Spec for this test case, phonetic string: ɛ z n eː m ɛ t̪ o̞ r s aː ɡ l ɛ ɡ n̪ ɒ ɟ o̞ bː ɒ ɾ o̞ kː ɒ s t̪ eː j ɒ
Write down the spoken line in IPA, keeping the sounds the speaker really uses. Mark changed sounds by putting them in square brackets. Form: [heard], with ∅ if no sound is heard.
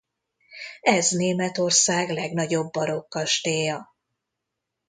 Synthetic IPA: ɛ z n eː m ɛ t̪ o̞ r s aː ɡ l ɛ ɡ n̪ ɒ ɟ o̞ bː ɒ ɾ o̞ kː ɒ [ʃ] t̪ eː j ɒ